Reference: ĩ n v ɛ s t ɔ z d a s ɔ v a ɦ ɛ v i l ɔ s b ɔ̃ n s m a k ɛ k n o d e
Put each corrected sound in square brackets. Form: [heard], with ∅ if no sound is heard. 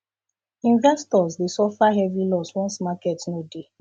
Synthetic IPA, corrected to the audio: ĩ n v ɛ s t ɔ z d [e] s ɔ [f] a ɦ ɛ v i l ɔ s [w] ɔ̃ n s m a k ɛ [t] n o d e